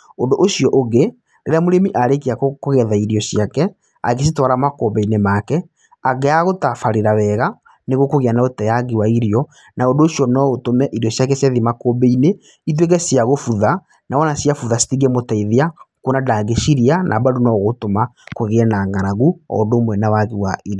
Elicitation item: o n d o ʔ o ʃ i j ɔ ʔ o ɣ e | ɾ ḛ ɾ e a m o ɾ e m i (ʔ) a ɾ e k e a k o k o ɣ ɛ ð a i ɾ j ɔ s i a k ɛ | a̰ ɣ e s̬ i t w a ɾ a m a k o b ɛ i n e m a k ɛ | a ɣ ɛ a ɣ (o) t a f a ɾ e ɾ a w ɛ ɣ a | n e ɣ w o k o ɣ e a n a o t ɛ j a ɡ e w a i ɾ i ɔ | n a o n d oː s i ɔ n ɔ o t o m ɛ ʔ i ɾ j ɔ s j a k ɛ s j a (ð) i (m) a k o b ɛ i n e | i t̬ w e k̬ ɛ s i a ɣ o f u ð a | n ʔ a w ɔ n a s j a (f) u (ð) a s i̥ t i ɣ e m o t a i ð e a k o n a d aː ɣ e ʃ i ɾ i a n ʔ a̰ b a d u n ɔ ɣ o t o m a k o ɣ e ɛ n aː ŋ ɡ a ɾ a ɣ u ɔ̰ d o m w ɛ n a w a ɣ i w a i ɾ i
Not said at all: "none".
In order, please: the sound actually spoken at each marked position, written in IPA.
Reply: ʔ, o, ð, m, f, ð

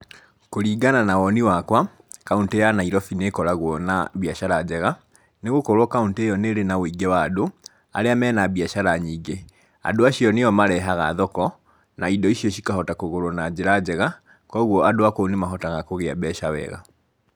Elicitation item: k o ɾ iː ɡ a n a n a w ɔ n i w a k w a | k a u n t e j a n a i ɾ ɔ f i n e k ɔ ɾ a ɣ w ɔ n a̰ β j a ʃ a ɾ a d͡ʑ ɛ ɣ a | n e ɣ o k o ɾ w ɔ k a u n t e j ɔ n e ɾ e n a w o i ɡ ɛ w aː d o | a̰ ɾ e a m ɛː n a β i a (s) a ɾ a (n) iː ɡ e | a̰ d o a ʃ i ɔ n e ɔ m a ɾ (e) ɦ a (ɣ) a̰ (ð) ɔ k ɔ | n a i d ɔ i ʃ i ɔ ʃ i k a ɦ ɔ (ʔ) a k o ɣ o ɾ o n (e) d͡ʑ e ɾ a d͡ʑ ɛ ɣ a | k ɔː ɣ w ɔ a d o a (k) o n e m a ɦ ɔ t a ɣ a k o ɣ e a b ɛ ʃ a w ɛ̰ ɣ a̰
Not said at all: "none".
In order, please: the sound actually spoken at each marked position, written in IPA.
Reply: ʃ, ɲ, ɛ, ɣ, ð, t, a, k

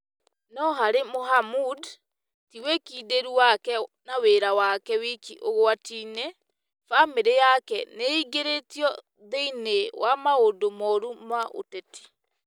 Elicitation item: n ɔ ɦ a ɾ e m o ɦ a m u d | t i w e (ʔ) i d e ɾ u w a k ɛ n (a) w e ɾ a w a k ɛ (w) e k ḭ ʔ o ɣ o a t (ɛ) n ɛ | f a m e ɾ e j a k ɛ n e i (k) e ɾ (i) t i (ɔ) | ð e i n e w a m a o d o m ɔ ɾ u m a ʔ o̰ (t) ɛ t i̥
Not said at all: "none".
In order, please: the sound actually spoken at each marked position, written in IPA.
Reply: k, a, w, i, ɡ, e, ɔ, t

